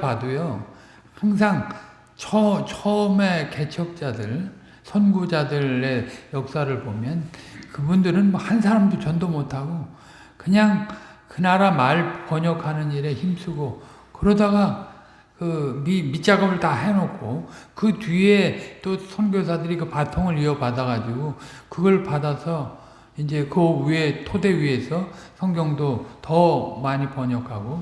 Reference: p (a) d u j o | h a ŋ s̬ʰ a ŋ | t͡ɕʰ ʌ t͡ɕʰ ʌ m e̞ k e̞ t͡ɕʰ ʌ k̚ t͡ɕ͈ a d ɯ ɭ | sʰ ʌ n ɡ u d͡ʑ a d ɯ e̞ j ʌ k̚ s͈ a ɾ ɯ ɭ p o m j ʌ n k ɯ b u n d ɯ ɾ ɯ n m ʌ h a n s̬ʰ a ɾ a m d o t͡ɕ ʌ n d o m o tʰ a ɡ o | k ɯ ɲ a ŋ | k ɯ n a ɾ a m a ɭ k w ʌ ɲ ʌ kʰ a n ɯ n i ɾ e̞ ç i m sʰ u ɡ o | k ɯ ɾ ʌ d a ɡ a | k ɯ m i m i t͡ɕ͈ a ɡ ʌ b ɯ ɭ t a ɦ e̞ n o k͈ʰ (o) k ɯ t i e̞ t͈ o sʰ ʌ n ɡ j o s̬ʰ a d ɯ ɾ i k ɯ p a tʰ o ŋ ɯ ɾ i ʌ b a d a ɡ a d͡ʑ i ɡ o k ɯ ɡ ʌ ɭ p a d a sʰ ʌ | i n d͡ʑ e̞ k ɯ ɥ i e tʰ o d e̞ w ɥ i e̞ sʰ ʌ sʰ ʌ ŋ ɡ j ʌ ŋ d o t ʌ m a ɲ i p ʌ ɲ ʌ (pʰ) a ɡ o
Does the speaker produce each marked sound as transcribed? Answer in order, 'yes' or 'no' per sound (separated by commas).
yes, yes, no